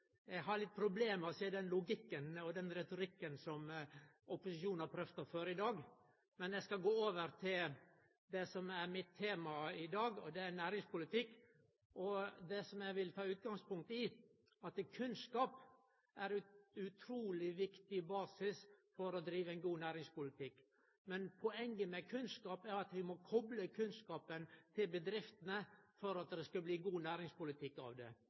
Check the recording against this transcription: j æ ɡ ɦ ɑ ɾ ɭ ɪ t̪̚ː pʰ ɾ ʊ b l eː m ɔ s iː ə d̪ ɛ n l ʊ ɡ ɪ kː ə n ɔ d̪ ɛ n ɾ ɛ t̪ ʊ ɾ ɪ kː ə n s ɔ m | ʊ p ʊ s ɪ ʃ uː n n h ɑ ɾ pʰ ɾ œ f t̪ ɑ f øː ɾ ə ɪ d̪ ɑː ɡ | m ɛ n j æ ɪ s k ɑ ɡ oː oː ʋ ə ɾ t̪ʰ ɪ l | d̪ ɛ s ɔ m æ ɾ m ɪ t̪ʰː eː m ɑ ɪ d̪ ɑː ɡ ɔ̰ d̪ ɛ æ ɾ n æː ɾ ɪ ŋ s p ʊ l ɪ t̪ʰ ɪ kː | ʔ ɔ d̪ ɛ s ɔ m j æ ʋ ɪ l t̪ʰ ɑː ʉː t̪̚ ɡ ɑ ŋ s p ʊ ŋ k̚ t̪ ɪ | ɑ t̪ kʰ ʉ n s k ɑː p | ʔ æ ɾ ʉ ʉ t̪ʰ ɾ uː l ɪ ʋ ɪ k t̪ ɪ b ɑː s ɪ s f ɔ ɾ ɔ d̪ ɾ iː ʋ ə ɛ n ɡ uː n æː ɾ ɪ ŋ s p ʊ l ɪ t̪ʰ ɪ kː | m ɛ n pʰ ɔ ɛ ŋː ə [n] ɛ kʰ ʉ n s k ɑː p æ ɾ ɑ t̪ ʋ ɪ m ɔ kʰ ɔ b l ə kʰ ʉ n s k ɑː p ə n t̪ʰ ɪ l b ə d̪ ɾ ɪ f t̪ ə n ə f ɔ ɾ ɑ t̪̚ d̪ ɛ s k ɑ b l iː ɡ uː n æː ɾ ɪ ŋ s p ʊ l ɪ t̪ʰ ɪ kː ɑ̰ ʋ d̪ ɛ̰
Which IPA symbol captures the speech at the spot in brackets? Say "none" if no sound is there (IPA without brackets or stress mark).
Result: m